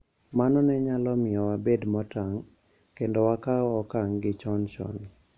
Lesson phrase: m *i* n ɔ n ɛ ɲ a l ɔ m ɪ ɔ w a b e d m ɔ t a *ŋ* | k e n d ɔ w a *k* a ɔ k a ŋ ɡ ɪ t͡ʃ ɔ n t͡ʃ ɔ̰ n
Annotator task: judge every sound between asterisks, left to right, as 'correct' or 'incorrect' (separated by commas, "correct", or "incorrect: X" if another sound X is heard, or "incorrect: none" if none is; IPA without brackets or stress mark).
incorrect: a, correct, correct